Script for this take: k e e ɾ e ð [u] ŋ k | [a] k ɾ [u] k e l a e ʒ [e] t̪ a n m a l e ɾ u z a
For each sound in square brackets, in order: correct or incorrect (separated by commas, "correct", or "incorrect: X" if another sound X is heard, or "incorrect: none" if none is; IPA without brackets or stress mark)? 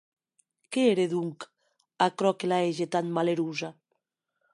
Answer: correct, correct, incorrect: ɔ, correct